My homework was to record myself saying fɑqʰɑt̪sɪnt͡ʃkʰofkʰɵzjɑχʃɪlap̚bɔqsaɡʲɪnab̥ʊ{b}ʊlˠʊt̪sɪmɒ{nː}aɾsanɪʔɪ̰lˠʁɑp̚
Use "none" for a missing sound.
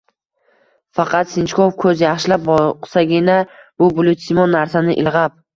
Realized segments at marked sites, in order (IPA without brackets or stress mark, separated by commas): b, nː